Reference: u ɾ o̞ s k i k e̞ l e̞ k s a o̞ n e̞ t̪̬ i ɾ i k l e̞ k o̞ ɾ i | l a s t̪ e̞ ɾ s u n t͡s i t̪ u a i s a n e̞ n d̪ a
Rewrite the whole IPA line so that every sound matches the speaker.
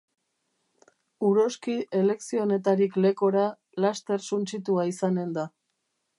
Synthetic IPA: u ɾ o̞ s k i e̞ l e̞ k s i o̞ n e̞ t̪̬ a ɾ i k l e̞ k o̞ ɾ a | l a s t̪ e̞ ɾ s u n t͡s i t̪ u a i s a n e̞ n d̪ a